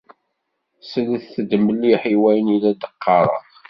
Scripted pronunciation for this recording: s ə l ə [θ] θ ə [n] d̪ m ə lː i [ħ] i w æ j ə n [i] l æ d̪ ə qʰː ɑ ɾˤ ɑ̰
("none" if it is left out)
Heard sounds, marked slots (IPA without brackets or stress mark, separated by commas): θ, none, ħ, i